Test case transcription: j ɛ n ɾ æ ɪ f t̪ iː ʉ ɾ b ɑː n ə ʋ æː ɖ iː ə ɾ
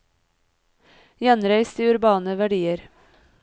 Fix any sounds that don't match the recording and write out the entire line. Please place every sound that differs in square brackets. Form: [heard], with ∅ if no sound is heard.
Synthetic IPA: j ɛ n ɾ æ ɪ [s] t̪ iː ʉ ɾ b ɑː n ə ʋ [æ] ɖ iː ə ɾ

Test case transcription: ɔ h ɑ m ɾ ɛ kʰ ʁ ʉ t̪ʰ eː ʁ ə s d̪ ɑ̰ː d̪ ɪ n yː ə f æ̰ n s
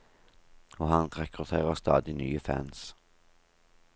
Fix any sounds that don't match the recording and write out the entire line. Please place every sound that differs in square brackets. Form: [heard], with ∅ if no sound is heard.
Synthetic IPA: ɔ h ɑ [n] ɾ ɛ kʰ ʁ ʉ t̪ʰ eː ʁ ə s [t̪] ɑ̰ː d̪ ɪ n yː ə f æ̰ n s

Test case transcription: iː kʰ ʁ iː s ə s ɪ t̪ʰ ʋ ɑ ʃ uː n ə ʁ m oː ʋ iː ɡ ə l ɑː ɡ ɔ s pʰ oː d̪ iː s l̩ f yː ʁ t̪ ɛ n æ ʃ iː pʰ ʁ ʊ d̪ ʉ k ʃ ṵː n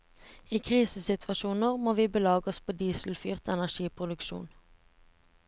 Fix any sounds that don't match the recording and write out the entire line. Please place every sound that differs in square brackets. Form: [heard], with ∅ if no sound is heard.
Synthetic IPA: iː kʰ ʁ iː s ə s ɪ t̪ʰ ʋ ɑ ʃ uː n ə ʁ m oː ʋ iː [b] ə l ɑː ɡ ɔ s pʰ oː d̪ iː s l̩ f yː ʁ t̪ ɛ n æ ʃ iː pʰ ʁ ʊ d̪ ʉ k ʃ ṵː n

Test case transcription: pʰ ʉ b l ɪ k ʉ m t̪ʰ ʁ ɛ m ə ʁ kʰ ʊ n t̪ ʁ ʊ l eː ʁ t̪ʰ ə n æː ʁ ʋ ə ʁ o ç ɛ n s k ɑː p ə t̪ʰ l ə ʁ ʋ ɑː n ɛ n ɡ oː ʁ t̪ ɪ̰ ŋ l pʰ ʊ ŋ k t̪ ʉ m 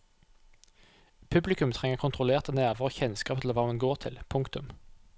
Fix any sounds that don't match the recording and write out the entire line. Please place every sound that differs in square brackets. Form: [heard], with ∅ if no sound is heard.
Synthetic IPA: pʰ ʉ b l ɪ k ʉ m t̪ʰ ʁ ɛ [ŋ] ə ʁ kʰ ʊ n t̪ ʁ ʊ l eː ʁ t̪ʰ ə n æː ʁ ʋ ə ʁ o ç ɛ n s k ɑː p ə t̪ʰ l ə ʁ ʋ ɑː [m] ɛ n ɡ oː ʁ [t̪ʰ] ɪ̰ [∅] l pʰ ʊ ŋ k t̪ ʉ m

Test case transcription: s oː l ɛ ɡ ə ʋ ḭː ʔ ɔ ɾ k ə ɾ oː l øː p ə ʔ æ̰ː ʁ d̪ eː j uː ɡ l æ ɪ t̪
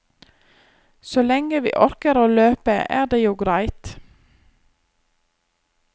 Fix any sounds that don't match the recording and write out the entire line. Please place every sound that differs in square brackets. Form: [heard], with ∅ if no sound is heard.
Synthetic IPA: s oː l ɛ [ŋ] ə ʋ ḭː ʔ ɔ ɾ k ə ɾ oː l øː p ə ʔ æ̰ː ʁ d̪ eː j uː ɡ [ɾ] æ ɪ t̪

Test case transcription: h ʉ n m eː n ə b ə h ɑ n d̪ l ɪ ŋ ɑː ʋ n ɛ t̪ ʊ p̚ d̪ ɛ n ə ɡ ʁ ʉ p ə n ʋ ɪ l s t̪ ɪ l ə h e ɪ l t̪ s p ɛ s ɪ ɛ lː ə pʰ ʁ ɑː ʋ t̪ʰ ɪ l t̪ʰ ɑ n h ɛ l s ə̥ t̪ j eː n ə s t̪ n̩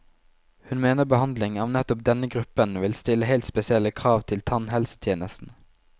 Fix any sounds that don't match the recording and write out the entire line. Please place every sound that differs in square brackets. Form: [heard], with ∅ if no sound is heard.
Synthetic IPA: h ʉ n m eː n ə b ə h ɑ n d̪ l ɪ ŋ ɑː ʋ n ɛ t̪ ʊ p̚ d̪ ɛ n ə ɡ ʁ ʉ p ə n ʋ ɪ l s t̪ ɪ l ə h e ɪ l t̪ s p ɛ s ɪ ɛ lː ə [kʰ] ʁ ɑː ʋ t̪ʰ ɪ l t̪ʰ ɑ n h ɛ l s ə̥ [t̪ʰ] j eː n ə s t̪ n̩

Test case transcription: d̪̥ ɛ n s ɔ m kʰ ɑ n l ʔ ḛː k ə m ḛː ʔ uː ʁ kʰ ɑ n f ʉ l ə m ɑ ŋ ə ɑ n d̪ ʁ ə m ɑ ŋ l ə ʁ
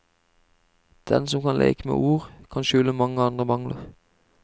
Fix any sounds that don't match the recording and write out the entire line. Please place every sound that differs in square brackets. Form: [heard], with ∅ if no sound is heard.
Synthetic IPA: d̪̥ ɛ n s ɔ m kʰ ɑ n l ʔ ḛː k ə m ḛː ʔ uː ʁ kʰ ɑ n [ʃ] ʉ l ə m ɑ ŋ ə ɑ n d̪ ʁ ə m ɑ ŋ l ə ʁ

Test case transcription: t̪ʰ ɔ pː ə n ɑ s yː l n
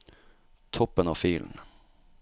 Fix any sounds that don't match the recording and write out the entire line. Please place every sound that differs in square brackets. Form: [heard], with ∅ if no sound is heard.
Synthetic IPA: t̪ʰ ɔ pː ə n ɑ [f] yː l n

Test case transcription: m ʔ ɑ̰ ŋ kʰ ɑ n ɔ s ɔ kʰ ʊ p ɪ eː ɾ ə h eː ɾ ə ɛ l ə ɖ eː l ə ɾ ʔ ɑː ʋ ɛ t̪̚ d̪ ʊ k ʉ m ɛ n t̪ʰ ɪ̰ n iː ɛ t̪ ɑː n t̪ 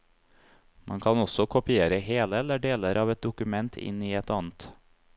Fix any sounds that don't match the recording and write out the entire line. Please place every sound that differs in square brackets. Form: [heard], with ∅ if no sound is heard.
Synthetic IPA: m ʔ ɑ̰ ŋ kʰ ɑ n ɔ s ɔ kʰ ʊ p ɪ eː ɾ ə h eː [l] ə ɛ l ə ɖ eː l ə ɾ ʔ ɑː ʋ ɛ t̪̚ d̪ ʊ k ʉ m ɛ n t̪ʰ ɪ̰ n iː ɛ t̪ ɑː n t̪

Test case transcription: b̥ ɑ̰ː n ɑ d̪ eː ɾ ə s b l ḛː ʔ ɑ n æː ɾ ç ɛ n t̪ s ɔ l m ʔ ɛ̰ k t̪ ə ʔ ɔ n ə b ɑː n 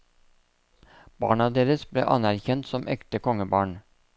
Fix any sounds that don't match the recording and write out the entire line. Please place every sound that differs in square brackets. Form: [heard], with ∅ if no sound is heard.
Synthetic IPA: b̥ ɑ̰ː [ɳ] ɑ d̪ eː ɾ ə s b l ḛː ʔ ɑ n [æ] ɾ ç ɛ n t̪ s ɔ [∅] m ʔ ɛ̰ k t̪ ə [k] ɔ [ŋ] ə b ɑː [ɳ]

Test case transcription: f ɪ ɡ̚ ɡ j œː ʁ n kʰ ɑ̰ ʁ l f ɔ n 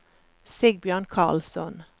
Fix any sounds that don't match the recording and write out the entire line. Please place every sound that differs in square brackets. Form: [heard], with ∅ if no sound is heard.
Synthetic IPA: [s] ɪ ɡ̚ [b] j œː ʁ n kʰ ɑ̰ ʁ l [s] ɔ n

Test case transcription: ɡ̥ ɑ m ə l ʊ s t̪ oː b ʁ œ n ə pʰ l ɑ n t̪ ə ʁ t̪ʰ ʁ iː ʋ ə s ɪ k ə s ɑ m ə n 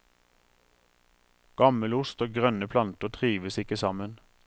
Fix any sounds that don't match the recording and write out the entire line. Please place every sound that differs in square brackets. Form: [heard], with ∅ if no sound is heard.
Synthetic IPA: ɡ̥ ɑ m ə l ʊ s t̪ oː [ɡ] ʁ œ n ə pʰ l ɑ n t̪ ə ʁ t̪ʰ ʁ iː ʋ ə s ɪ k ə s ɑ m ə n

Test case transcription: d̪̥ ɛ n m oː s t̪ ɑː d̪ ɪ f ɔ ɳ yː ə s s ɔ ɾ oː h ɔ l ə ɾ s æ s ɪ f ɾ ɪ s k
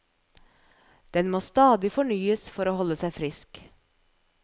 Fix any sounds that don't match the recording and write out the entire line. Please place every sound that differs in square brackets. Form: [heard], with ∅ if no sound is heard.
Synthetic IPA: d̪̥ ɛ n m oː s t̪ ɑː d̪ ɪ f ɔ ɳ yː ə s [f] ɔ ɾ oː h ɔ l ə [∅] s æ [∅] ɪ f ɾ ɪ s k

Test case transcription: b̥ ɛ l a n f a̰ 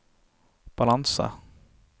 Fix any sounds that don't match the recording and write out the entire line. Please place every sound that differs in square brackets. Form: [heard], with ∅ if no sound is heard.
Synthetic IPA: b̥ [a] l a n [s] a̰

